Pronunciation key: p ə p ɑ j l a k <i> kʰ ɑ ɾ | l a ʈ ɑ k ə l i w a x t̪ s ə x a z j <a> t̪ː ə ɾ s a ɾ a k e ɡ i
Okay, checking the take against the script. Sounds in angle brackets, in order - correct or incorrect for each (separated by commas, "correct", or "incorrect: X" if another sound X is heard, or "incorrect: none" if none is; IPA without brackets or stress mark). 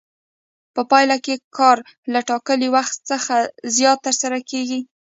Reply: incorrect: e, incorrect: ɑ